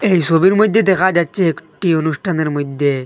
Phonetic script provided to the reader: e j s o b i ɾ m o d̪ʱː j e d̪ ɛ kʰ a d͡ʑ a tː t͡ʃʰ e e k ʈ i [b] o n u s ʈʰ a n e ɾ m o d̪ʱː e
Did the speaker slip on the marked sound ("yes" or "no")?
yes